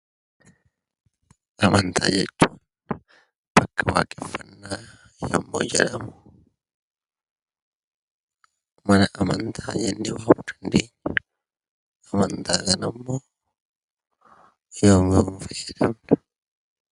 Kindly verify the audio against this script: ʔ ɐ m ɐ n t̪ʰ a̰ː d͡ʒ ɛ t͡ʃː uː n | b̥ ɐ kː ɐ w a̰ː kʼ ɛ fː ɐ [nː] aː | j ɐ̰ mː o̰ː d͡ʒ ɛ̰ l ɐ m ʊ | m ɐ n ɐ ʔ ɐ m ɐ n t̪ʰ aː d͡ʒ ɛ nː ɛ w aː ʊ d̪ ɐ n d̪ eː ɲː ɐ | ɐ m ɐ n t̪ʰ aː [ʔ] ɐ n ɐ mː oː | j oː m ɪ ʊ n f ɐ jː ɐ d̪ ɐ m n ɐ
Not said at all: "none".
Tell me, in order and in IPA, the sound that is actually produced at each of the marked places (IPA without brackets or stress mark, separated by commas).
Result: nː, k